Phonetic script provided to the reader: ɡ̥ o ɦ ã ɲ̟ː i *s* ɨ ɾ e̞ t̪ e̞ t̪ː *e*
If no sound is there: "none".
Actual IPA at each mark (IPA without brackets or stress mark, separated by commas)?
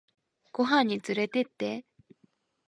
t͡s, e